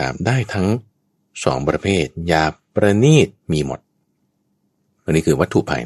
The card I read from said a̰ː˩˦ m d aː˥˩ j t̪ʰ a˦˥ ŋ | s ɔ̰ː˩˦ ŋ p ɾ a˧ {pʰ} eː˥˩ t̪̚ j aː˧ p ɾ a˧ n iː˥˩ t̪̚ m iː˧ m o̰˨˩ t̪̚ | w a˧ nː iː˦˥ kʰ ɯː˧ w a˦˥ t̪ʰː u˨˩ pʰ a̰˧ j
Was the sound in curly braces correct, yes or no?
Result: yes